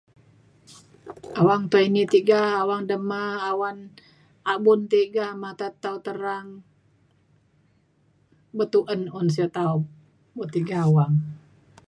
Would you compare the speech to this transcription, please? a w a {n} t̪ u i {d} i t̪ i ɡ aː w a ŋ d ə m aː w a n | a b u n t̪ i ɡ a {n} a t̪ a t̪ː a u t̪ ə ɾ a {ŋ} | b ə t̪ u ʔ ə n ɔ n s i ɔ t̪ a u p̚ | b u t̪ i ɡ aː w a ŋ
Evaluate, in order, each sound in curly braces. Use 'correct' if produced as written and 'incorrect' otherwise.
incorrect, incorrect, incorrect, correct

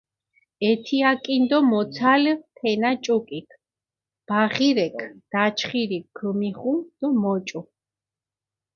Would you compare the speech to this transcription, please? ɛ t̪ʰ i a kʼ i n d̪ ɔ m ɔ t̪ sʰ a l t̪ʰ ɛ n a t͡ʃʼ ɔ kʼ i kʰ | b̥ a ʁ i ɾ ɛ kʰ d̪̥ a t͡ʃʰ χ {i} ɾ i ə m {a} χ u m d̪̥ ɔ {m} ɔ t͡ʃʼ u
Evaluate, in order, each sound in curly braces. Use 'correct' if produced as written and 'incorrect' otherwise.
correct, incorrect, correct

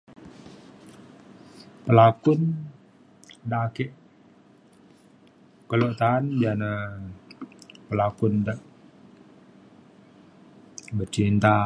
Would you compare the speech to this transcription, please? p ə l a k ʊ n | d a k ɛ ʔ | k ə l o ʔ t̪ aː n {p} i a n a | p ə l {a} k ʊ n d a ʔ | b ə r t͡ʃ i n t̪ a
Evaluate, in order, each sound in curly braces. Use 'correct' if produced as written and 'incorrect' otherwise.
incorrect, correct

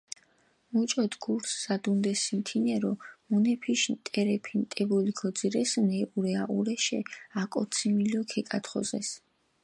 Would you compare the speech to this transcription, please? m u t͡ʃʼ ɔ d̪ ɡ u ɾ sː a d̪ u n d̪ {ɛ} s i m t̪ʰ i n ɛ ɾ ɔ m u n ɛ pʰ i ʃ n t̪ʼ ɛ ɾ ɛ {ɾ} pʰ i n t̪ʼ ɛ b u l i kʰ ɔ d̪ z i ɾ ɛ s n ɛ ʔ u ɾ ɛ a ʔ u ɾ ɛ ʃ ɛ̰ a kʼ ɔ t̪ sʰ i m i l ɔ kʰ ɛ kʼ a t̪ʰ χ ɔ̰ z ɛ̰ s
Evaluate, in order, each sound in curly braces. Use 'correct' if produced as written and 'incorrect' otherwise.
correct, incorrect

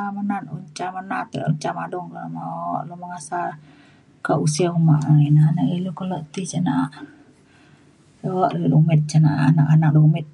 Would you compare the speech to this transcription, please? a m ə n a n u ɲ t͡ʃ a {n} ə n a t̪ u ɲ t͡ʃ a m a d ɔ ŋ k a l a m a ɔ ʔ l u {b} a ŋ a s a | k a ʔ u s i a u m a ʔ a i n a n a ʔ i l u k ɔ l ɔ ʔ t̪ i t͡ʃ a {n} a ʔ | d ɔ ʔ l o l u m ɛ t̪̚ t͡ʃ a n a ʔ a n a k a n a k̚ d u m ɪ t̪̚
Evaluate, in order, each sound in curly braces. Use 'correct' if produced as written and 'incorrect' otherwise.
incorrect, incorrect, correct

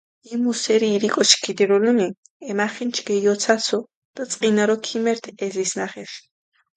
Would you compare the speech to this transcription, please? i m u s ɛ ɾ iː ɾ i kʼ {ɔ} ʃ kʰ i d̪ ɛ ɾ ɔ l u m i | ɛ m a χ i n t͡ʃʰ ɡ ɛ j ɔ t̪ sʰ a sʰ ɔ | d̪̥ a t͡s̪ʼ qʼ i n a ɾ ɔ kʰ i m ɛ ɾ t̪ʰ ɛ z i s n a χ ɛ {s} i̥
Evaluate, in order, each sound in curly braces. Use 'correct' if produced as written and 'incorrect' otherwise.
correct, incorrect

